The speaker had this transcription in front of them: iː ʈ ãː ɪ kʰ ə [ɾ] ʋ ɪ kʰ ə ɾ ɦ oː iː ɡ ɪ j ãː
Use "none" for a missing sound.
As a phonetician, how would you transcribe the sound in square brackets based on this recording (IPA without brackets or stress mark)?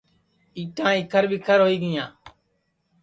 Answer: ɾ